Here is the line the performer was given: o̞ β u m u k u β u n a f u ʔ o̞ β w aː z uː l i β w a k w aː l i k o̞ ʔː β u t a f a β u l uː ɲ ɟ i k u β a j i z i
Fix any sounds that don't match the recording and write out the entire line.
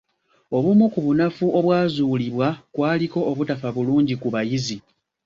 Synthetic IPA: o̞ β u m u k u β u n a f u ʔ o̞ β w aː z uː l i β w a k w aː l i k o̞ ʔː β u t a f a β u l uː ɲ ɟ i k u β a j i z i